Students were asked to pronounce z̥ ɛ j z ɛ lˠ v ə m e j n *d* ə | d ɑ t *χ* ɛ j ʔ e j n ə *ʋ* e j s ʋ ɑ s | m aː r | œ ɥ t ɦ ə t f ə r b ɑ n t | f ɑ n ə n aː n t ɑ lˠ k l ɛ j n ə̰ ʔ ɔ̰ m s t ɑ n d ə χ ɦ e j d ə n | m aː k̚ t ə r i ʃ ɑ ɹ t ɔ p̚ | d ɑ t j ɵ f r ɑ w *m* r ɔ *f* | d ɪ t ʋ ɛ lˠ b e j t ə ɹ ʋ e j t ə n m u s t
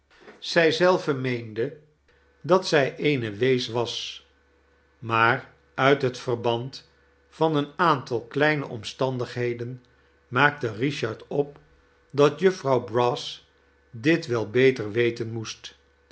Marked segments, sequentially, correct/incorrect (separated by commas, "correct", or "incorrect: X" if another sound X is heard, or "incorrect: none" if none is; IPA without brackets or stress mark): correct, incorrect: s, correct, incorrect: b, incorrect: s